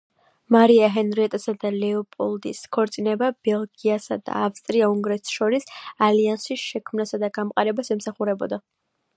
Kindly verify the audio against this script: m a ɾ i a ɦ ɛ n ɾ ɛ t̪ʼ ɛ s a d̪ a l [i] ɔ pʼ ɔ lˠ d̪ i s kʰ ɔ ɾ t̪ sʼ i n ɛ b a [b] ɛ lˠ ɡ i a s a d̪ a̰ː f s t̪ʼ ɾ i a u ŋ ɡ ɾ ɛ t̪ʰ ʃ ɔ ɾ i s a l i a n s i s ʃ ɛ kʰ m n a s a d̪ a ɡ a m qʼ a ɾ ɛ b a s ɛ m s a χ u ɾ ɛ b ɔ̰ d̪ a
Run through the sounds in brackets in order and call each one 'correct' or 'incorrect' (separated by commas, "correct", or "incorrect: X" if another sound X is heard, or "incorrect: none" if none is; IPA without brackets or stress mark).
incorrect: ɛ, correct